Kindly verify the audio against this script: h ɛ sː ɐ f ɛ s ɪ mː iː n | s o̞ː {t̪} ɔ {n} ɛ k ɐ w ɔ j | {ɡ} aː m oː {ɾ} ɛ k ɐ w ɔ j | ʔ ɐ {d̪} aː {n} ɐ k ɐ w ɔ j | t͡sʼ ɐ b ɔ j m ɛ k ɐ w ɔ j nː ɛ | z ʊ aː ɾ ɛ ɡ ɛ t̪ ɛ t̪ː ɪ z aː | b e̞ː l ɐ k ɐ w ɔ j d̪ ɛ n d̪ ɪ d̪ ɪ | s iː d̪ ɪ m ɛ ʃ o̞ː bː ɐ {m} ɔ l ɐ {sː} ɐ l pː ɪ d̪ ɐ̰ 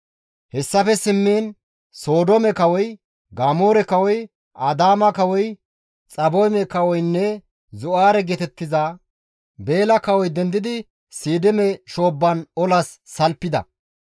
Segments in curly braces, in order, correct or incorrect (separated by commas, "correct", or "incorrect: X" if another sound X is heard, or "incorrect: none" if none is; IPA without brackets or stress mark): incorrect: d̪, incorrect: m, correct, correct, correct, incorrect: m, incorrect: n, correct